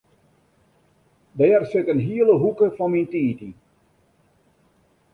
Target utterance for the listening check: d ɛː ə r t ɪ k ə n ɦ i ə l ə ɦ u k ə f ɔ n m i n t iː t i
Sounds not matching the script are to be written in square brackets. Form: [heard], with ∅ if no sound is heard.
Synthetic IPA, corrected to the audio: d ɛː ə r [s] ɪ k ə n ɦ i ə l ə ɦ u k ə f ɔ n m i n t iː t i